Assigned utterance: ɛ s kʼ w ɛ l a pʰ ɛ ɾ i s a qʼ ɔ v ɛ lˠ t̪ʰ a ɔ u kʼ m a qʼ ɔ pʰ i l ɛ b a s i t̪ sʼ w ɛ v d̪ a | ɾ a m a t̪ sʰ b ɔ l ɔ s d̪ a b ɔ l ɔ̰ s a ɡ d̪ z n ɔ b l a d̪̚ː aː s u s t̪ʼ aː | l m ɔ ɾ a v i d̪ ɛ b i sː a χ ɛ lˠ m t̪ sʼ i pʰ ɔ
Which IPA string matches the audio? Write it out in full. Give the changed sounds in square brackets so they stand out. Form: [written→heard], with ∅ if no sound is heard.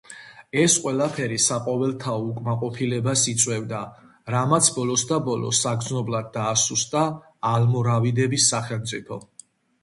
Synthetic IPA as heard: ɛ s [kʼ→qʼ] w ɛ l a pʰ ɛ ɾ i s a qʼ ɔ v ɛ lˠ t̪ʰ a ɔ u kʼ m a qʼ ɔ pʰ i l ɛ b a s i t̪ sʼ w ɛ v d̪ a | ɾ a m a t̪ sʰ b ɔ l ɔ s d̪ a b ɔ l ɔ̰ s a ɡ d̪ z n ɔ b l a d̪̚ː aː s u s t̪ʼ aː | l m ɔ ɾ a v i d̪ ɛ b i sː a χ ɛ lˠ m t̪ sʼ i pʰ ɔ